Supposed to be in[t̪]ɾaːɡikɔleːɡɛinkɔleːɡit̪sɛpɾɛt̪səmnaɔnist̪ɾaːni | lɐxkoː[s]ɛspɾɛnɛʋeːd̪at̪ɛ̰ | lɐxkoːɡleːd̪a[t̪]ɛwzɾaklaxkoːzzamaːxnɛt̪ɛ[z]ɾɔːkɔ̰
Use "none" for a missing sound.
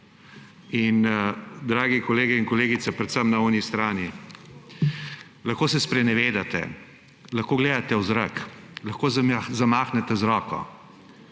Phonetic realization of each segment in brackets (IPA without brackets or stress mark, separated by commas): d̪, s, t̪, z